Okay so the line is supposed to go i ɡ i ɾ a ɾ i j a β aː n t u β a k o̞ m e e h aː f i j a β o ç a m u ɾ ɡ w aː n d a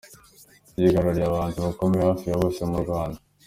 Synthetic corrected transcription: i ɡ a ɾ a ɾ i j a β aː n t u β a k o̞ m e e h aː f i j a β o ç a m u ɾ ɡ w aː n d a